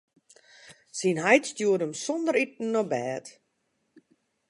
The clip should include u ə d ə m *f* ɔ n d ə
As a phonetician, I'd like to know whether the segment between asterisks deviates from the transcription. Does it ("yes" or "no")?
yes